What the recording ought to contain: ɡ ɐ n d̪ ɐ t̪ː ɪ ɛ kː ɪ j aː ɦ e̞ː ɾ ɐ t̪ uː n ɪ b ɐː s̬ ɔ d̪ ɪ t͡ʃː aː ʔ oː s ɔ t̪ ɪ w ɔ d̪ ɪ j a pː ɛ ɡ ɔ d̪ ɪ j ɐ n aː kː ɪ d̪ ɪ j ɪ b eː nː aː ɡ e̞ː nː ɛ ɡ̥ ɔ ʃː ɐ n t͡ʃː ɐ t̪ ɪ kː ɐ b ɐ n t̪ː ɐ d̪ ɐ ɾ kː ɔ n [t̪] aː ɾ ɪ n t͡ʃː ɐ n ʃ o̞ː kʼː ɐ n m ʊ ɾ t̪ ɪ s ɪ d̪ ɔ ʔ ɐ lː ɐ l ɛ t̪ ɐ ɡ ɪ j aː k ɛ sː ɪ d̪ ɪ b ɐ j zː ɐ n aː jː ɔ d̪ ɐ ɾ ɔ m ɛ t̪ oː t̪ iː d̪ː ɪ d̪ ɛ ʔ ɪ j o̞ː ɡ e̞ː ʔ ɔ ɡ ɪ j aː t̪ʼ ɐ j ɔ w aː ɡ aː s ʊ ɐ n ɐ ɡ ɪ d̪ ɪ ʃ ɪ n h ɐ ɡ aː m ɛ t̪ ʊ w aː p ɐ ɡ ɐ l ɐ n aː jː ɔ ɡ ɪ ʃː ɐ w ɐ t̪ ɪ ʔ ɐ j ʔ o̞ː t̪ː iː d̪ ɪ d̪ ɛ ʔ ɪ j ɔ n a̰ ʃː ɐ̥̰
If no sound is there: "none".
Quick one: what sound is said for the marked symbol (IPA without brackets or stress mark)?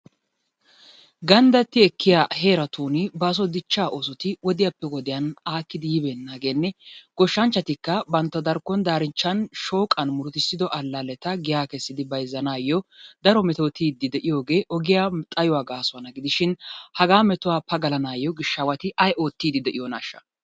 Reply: d̪